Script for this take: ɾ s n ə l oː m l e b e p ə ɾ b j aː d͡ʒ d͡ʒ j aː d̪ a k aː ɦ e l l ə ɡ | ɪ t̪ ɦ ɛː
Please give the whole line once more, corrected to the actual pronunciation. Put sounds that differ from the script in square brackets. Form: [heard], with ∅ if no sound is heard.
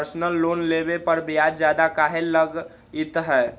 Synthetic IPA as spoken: ɾ s n ə [lː] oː [n] l e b e p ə ɾ b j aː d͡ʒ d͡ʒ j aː d̪ a k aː ɦ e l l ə ɡ | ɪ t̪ ɦ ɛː